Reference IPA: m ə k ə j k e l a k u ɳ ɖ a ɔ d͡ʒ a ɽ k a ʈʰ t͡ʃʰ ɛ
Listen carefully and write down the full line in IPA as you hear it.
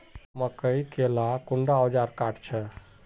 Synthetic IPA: m ə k ə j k e l a k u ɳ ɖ a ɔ d͡ʒ a ɾ k a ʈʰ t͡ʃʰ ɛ